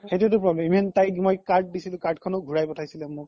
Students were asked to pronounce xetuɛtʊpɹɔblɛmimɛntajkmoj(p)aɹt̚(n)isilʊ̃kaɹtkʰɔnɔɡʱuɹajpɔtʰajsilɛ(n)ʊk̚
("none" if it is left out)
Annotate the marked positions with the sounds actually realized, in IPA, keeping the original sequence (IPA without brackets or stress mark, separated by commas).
k, d, m